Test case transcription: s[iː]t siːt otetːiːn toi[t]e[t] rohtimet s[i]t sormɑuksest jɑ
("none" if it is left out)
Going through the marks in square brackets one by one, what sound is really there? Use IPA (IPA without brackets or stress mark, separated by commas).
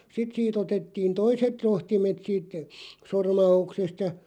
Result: i, s, t, iː